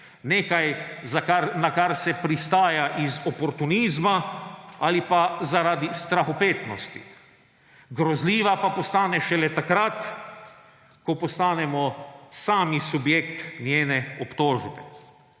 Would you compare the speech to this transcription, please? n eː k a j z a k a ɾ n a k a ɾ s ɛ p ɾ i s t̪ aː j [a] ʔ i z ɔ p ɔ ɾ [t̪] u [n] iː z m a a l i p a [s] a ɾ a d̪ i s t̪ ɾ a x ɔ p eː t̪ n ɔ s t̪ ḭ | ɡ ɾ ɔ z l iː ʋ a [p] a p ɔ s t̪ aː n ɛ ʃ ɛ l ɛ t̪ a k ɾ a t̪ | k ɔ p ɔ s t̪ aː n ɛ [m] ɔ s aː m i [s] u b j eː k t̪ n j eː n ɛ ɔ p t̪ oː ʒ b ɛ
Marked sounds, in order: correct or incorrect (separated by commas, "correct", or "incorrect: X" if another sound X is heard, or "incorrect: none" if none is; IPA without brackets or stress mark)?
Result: correct, correct, correct, incorrect: z, correct, correct, correct